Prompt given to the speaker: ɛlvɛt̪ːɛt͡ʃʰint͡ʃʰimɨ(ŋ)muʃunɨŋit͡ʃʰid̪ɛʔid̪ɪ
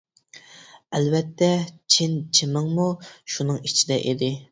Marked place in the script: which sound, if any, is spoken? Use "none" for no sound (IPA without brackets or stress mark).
ŋ